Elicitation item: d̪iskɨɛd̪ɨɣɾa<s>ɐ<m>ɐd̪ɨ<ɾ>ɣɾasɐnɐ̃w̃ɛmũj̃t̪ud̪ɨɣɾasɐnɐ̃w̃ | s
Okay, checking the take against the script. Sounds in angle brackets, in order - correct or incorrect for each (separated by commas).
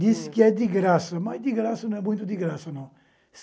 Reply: correct, correct, incorrect